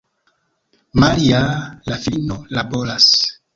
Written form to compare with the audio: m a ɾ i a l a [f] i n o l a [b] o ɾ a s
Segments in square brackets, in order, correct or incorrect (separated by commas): correct, correct